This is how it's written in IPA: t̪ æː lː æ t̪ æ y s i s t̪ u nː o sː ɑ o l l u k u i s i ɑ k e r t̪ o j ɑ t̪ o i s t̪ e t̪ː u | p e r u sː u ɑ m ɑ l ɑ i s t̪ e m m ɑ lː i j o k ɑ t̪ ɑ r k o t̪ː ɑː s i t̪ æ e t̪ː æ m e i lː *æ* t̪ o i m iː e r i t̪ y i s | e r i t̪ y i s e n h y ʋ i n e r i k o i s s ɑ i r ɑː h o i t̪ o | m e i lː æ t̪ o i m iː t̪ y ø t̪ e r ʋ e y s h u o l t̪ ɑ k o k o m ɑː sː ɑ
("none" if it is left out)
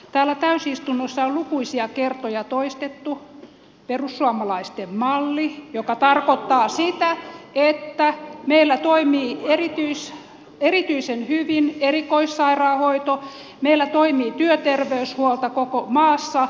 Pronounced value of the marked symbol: æ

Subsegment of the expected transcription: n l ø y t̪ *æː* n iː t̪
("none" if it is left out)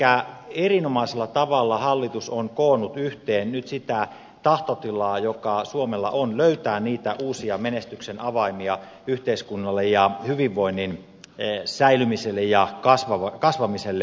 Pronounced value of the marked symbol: æː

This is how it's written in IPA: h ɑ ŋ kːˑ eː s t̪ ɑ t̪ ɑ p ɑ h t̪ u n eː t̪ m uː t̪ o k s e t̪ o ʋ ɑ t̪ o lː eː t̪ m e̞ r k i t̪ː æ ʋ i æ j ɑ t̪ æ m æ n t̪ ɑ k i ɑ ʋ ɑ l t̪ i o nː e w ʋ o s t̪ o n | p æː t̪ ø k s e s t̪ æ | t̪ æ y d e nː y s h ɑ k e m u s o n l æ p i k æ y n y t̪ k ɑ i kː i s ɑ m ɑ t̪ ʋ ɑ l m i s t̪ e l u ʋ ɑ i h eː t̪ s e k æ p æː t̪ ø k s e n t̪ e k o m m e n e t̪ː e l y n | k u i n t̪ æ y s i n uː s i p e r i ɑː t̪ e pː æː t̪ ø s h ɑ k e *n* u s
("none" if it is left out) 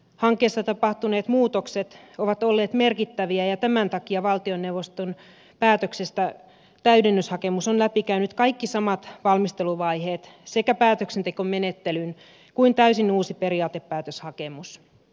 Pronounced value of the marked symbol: m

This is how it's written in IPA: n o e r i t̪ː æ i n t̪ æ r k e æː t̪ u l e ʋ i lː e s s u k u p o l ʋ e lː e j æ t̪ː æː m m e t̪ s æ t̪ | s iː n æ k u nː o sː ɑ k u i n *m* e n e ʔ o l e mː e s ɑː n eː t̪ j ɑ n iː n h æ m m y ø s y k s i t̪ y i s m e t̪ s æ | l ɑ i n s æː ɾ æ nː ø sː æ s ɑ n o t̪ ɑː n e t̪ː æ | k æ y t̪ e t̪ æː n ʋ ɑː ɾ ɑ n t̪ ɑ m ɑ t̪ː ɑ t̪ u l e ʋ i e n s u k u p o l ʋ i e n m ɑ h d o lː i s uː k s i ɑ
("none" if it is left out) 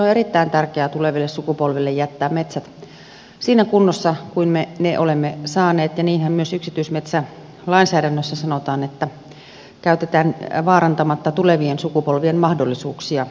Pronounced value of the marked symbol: m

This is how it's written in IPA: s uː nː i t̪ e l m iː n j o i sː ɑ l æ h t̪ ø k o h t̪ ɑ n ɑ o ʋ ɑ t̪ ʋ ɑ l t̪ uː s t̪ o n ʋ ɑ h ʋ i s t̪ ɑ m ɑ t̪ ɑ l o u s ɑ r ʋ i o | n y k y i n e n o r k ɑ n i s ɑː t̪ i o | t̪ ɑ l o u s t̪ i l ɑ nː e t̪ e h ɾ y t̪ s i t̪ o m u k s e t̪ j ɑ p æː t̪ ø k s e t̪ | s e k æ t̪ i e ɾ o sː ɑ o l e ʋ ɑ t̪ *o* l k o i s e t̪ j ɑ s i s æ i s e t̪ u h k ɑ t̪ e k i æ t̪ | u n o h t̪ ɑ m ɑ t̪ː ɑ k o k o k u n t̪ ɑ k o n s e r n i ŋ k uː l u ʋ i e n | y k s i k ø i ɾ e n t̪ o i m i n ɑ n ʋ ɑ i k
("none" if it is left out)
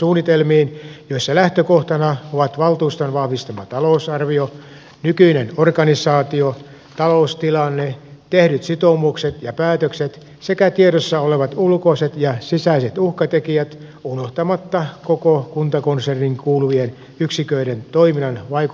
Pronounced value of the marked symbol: u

